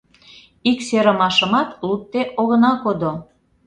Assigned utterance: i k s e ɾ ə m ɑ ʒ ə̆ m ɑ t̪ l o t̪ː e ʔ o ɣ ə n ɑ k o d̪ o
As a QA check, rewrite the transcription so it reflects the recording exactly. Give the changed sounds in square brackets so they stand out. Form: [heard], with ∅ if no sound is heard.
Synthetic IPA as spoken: i k s e ɾ ə m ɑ [ʃ] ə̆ m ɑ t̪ l [u] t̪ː e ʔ o ɣ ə n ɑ k o d̪ o